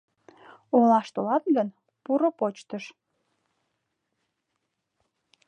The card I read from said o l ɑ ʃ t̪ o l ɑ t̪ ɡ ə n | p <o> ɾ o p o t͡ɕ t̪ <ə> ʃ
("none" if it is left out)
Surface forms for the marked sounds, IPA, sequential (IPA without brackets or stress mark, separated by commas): u, ə